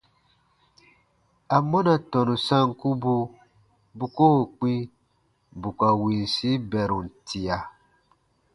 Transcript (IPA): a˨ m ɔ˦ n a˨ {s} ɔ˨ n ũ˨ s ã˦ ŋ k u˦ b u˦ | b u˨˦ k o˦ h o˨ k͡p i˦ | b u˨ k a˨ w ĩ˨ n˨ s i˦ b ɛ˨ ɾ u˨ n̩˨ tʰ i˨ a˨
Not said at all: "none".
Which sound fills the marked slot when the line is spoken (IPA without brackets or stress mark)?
t